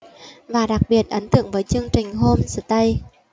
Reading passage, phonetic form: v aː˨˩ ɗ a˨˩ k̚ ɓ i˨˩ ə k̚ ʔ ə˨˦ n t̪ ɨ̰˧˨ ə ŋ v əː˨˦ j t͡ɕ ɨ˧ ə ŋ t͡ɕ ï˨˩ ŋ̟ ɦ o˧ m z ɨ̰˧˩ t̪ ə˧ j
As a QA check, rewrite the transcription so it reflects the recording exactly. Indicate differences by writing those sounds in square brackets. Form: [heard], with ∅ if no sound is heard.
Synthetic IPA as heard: v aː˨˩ ɗ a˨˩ k̚ ɓ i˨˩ ə [t̚] ʔ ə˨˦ n t̪ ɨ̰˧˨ ə ŋ v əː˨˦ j t͡ɕ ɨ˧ ə ŋ t͡ɕ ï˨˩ ŋ̟ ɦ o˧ m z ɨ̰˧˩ t̪ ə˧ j